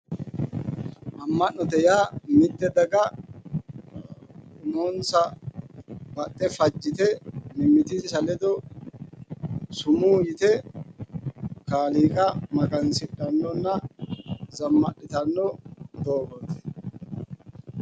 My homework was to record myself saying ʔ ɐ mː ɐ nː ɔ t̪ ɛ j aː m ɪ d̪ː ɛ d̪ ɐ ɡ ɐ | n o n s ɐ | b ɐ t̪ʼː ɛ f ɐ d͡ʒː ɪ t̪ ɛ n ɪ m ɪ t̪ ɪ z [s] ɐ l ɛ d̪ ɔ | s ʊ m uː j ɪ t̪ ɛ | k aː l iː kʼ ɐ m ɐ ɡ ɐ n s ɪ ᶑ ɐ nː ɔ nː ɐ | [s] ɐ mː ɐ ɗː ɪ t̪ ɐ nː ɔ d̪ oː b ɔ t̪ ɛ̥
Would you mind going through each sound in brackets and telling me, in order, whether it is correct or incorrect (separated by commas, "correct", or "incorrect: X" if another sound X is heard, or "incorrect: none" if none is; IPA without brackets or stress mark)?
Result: correct, incorrect: z